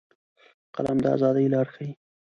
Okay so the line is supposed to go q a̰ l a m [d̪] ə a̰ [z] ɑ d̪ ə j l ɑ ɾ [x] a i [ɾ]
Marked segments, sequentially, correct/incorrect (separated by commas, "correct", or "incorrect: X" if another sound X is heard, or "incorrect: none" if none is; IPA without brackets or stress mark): correct, correct, correct, incorrect: none